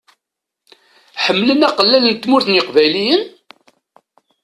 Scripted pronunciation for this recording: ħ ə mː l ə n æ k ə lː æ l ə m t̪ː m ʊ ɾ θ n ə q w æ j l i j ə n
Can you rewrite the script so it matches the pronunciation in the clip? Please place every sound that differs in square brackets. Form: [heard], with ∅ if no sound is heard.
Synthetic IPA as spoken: ħ ə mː l ə n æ [q] ə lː æ l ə [n] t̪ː m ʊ ɾ θ n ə q [v] æ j l i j ə n